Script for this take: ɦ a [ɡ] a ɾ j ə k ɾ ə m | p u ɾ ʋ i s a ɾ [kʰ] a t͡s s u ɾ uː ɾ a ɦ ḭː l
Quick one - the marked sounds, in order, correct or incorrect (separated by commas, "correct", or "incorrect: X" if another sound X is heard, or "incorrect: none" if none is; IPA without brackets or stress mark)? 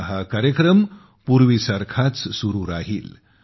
incorrect: k, correct